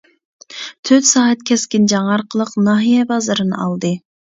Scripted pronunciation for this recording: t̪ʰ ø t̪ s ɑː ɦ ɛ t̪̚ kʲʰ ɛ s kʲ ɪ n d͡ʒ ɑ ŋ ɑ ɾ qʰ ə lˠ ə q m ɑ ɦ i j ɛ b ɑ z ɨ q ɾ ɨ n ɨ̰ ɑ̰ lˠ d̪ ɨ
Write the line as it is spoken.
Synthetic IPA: t̪ʰ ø t̪ s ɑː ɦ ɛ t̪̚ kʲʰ ɛ s kʲ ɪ n d͡ʒ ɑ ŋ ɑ ɾ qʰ ə lˠ ə q n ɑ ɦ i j ɛ b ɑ z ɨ ɾ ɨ n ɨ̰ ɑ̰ lˠ d̪ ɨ